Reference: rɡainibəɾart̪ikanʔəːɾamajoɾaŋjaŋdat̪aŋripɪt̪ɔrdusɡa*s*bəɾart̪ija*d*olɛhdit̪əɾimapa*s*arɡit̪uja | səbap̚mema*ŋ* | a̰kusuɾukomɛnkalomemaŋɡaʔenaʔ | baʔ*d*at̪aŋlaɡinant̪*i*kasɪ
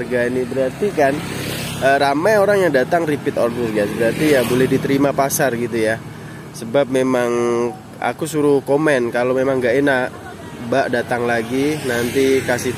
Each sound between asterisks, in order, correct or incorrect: correct, incorrect: b, correct, correct, correct, correct

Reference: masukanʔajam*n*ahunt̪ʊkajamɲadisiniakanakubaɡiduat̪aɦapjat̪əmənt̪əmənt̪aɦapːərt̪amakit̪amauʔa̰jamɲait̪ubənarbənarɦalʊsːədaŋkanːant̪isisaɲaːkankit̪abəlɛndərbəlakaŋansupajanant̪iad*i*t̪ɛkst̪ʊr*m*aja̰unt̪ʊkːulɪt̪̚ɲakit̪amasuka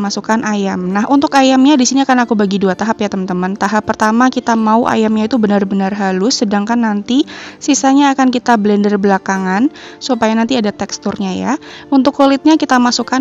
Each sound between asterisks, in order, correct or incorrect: correct, incorrect: a, incorrect: ɲ

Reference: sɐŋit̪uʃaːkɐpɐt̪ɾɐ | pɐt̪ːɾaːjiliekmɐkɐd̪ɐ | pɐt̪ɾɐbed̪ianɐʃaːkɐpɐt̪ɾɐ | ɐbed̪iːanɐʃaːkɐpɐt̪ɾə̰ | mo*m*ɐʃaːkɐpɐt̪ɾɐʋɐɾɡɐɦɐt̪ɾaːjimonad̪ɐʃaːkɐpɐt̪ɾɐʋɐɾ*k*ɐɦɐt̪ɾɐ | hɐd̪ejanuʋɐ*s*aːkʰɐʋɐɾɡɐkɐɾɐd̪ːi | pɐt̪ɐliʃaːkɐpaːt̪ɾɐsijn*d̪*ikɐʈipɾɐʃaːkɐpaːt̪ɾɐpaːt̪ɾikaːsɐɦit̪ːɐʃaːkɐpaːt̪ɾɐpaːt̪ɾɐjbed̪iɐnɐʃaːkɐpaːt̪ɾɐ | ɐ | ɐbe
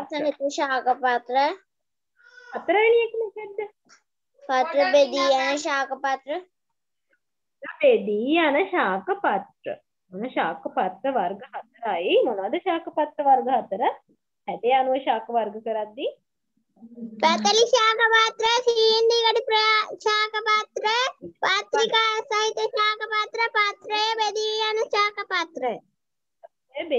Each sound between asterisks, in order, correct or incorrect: incorrect: n, incorrect: ɡ, incorrect: ʃ, correct

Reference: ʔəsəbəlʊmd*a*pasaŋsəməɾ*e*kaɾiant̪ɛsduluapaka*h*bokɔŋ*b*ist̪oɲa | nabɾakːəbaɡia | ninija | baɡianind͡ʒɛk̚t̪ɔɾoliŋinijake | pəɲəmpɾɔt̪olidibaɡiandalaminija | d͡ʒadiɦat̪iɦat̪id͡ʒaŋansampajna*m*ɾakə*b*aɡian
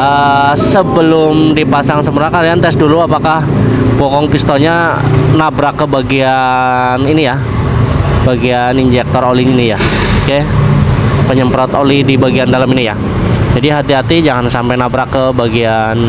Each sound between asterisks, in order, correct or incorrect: incorrect: i, incorrect: a, correct, incorrect: p, incorrect: b, correct

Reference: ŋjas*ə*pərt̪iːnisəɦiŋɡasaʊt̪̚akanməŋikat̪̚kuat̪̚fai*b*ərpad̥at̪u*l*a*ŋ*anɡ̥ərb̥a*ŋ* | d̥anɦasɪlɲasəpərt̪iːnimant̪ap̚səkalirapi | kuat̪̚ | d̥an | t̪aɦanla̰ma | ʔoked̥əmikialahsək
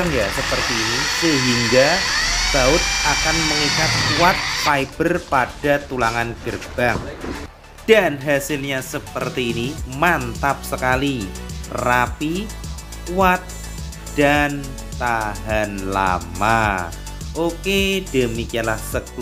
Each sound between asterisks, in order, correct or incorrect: correct, correct, correct, correct, correct

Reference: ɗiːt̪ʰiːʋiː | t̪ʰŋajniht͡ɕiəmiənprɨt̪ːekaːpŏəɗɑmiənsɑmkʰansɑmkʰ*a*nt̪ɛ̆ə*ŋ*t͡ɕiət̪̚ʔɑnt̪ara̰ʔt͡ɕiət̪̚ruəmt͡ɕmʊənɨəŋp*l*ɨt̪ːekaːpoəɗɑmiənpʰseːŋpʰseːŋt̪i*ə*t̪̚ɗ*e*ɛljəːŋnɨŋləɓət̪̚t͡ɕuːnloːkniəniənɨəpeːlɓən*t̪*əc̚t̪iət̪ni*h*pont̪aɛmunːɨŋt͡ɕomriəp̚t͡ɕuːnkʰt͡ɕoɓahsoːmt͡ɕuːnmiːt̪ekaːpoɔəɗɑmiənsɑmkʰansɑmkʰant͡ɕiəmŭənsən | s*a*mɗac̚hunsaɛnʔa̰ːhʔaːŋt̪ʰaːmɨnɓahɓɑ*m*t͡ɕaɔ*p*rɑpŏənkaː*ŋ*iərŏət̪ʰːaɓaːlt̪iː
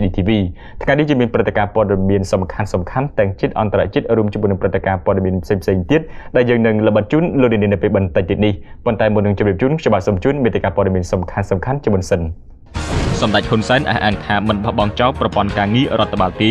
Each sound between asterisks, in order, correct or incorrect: correct, correct, incorrect: r, correct, incorrect: a, correct, correct, incorrect: ɑ, incorrect: ŋ, correct, correct

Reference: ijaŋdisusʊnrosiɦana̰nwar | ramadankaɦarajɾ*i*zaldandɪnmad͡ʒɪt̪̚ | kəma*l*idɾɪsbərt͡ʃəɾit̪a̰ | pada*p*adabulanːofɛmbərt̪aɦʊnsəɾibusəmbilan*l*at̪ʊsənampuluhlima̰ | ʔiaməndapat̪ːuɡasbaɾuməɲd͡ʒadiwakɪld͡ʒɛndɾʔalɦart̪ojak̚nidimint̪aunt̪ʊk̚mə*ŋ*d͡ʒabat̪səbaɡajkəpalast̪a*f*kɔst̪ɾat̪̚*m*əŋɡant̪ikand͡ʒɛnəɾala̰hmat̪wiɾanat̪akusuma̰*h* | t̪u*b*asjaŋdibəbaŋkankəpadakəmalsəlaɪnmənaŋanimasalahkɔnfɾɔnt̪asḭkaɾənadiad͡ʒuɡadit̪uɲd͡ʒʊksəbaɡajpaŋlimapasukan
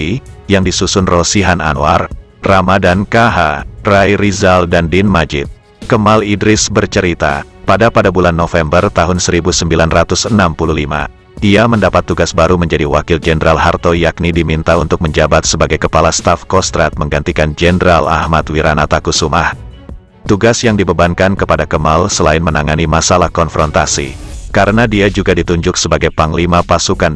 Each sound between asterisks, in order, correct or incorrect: correct, correct, correct, incorrect: r, incorrect: ɲ, correct, correct, correct, incorrect: ɡ

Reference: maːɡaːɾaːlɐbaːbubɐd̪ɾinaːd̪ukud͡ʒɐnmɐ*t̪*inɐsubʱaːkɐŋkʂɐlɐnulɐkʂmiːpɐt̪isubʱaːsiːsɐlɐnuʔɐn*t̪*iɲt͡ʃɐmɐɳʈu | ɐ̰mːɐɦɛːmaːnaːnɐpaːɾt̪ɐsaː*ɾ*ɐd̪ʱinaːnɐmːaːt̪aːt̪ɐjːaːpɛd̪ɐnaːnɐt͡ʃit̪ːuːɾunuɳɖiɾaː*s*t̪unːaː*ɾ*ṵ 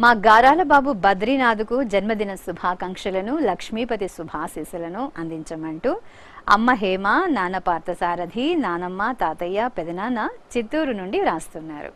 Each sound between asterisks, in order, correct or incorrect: incorrect: d̪, incorrect: d̪, correct, correct, correct

